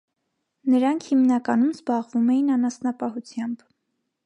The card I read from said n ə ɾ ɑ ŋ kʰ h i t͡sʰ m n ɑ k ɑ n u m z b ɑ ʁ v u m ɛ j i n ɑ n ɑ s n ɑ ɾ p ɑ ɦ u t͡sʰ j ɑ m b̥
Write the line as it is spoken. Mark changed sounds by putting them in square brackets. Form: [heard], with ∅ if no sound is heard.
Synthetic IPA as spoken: n ə ɾ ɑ ŋ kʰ h i [∅] m n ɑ k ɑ n u m z b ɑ ʁ v u m ɛ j i n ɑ n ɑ s n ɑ [∅] p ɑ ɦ u t͡sʰ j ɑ m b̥